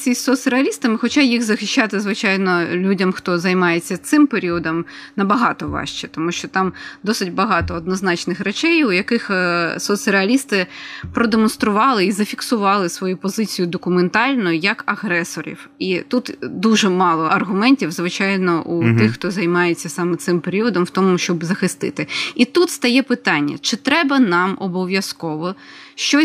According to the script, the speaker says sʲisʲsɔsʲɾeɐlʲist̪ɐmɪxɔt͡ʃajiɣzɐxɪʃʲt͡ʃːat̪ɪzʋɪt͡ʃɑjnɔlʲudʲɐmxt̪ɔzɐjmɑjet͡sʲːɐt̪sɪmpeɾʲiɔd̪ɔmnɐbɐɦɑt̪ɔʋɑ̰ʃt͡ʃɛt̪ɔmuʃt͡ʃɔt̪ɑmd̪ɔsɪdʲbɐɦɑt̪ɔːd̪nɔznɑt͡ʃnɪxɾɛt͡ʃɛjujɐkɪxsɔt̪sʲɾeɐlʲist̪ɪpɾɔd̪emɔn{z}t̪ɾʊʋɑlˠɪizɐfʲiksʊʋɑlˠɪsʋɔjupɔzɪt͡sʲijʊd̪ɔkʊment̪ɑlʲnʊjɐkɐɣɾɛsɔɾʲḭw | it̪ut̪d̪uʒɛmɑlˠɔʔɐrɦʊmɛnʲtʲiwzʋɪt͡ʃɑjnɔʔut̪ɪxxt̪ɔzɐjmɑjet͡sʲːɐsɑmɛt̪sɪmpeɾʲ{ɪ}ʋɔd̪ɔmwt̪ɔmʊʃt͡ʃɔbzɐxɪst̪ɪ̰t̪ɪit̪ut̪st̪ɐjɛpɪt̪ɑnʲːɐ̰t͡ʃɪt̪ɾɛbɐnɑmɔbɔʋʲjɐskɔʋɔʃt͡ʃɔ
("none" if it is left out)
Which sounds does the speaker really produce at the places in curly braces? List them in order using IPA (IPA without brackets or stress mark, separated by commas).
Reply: s, i